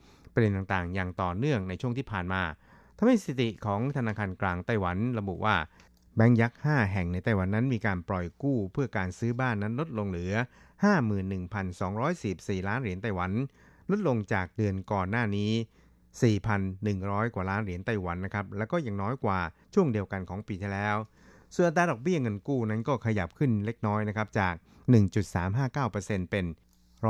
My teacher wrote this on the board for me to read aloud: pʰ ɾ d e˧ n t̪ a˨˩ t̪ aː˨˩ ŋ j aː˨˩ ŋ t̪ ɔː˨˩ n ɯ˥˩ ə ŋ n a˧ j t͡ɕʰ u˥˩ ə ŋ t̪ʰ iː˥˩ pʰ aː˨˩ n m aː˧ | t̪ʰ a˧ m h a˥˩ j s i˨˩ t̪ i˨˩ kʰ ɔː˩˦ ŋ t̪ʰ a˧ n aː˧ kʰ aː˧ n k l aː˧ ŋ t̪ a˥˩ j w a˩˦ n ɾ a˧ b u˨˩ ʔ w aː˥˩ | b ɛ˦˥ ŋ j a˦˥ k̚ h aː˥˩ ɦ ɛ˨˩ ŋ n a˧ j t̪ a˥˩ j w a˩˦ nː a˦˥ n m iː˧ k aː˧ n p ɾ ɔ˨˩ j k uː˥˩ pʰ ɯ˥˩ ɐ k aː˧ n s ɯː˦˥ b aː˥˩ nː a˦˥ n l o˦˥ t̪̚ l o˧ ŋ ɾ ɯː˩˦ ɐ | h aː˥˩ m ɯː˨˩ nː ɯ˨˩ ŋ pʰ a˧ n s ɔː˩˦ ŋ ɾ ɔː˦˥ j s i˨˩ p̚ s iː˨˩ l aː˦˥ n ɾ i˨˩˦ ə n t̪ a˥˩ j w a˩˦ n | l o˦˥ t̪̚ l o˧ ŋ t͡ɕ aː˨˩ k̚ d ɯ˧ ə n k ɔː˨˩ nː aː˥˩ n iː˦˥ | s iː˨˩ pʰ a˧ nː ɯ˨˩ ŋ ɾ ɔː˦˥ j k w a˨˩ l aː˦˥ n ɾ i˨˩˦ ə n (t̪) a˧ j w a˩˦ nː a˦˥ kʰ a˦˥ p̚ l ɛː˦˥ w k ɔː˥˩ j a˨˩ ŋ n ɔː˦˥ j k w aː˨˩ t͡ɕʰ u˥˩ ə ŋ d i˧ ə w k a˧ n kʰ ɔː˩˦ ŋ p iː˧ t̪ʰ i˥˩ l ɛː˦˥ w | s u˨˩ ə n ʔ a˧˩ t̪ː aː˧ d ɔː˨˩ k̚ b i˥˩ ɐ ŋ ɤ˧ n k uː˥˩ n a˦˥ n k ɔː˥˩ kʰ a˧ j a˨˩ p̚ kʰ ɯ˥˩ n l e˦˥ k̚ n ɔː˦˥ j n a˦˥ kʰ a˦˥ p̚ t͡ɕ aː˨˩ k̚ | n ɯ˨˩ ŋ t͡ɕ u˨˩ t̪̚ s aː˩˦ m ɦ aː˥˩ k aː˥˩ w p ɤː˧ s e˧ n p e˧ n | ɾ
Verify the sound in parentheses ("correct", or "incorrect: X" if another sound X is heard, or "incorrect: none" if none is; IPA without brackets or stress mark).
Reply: correct